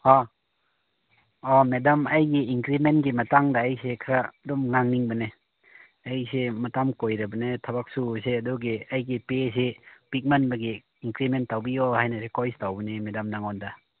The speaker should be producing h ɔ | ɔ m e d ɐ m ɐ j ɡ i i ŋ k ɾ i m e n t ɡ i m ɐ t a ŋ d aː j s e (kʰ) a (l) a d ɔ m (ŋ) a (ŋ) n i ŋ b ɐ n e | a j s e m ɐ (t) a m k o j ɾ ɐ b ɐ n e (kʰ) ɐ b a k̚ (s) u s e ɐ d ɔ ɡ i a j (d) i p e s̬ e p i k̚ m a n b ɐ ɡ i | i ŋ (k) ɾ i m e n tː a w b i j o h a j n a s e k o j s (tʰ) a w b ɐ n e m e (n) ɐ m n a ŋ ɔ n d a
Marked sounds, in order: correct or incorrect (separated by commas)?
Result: correct, incorrect, correct, correct, correct, incorrect, correct, incorrect, correct, incorrect, incorrect